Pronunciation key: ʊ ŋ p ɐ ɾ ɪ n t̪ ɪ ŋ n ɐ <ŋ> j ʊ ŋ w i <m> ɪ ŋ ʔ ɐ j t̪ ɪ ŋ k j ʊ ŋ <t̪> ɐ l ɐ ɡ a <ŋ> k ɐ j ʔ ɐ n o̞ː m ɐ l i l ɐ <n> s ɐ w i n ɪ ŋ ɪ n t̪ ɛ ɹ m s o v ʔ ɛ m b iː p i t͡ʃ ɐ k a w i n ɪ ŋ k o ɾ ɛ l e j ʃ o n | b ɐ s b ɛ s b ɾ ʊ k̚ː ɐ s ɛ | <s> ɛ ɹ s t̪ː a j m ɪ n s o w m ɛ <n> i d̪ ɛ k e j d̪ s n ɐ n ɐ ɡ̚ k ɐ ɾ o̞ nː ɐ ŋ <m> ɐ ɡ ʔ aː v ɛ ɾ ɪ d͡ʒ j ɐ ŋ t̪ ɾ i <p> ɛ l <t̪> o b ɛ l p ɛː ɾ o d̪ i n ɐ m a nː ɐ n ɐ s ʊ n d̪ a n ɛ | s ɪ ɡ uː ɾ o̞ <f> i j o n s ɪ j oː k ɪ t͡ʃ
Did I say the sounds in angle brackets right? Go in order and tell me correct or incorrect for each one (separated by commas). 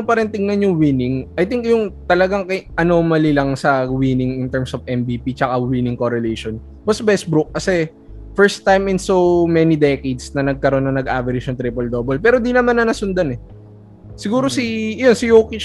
incorrect, incorrect, correct, correct, incorrect, incorrect, correct, incorrect, correct, incorrect, incorrect